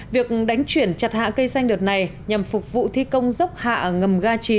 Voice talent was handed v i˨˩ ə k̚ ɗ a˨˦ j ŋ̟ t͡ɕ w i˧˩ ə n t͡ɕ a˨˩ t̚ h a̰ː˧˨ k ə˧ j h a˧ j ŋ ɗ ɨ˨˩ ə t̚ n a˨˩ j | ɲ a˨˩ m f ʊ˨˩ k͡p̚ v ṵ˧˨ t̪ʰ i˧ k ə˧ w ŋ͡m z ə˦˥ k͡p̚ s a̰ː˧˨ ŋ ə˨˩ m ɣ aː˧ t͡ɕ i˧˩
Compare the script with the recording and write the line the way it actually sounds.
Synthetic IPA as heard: v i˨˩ ə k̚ ɗ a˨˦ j ŋ̟ t͡ɕ w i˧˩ ə n t͡ɕ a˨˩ t̚ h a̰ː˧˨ k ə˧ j s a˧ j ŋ ɗ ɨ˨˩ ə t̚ n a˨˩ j | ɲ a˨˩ m f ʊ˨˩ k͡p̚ v ṵ˧˨ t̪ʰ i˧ k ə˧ w ŋ͡m z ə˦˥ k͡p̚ h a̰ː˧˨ ŋ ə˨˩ m ɣ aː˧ t͡ɕ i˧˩